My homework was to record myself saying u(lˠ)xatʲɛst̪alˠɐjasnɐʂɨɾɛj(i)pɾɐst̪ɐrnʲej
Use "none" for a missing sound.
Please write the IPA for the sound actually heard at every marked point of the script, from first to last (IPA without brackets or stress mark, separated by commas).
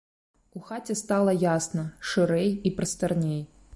none, i